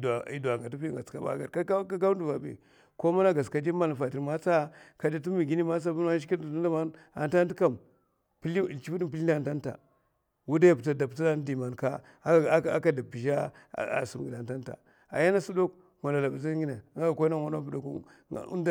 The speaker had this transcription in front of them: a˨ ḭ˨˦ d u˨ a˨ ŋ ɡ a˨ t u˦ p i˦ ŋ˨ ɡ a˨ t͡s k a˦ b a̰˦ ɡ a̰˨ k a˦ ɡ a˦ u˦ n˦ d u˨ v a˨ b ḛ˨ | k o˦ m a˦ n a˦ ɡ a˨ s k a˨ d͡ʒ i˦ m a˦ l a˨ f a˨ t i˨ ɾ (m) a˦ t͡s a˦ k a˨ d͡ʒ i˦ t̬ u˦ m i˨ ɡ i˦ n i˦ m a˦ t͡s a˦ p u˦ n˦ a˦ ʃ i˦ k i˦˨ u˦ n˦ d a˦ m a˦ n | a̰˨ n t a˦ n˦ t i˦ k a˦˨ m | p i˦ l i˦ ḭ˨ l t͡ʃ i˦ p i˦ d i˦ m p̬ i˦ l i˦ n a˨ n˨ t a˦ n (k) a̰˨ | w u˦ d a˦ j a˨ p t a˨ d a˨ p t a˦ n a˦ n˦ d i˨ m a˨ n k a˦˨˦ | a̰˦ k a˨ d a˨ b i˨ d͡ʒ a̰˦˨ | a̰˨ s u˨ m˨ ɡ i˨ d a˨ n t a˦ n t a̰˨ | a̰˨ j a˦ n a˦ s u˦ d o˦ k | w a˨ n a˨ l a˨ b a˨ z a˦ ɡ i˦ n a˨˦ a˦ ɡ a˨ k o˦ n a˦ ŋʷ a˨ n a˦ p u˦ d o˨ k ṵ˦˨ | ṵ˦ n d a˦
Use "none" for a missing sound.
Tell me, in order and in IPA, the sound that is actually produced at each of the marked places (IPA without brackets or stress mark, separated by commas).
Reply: m, t